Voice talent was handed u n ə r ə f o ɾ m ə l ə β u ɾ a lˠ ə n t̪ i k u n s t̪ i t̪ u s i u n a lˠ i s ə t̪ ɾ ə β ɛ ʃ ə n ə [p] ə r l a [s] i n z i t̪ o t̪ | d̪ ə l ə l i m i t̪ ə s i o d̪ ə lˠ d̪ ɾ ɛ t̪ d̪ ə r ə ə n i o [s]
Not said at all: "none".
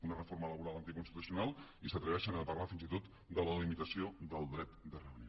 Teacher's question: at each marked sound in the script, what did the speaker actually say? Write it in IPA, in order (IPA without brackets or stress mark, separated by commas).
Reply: p, f, none